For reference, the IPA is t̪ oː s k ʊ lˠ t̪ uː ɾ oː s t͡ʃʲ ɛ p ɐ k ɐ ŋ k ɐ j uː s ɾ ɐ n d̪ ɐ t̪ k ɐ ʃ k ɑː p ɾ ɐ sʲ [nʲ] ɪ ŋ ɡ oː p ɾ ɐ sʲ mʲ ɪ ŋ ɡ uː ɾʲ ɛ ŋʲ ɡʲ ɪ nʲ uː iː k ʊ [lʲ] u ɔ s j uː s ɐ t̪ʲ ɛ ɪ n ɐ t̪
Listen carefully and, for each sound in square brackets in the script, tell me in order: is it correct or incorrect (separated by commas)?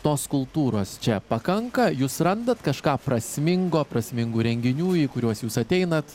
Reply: incorrect, incorrect